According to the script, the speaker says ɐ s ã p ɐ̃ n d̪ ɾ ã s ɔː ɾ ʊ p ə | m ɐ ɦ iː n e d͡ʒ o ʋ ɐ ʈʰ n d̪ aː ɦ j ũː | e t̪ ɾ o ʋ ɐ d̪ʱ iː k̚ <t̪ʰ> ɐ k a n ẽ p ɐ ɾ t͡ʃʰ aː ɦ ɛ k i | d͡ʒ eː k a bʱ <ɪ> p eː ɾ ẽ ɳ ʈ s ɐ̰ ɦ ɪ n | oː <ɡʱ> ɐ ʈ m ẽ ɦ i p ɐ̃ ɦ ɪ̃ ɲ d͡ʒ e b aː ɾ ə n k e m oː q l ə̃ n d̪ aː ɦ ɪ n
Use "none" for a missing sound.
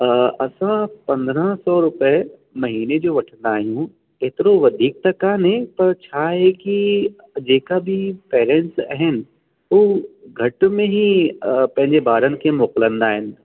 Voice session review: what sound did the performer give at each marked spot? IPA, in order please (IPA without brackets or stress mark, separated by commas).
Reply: t̪, i, ɡʱ